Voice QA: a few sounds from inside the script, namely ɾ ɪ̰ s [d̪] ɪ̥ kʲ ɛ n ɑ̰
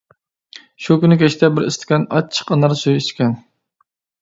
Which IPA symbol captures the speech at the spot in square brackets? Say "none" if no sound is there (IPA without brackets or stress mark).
t̪